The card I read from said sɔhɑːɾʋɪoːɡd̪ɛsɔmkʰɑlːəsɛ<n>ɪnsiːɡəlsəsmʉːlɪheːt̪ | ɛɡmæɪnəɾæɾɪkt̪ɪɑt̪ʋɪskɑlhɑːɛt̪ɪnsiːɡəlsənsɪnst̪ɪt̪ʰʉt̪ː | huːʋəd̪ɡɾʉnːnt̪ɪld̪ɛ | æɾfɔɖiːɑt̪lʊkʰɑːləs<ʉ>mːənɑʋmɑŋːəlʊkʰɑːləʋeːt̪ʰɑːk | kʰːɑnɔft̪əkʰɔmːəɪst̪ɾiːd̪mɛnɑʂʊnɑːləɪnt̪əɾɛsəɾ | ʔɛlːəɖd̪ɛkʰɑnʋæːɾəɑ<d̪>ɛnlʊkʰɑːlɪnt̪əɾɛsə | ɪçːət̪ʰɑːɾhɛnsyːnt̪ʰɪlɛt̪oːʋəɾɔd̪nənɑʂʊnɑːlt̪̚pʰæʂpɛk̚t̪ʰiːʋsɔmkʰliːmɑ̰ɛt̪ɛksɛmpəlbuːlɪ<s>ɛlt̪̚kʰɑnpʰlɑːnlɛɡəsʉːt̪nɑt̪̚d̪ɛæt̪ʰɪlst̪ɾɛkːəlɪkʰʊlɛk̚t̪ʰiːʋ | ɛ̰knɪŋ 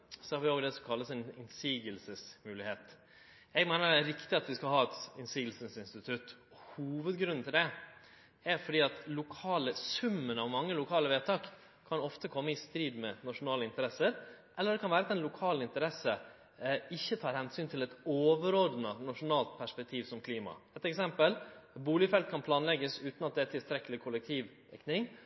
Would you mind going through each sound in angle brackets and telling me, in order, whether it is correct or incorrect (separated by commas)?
correct, correct, incorrect, incorrect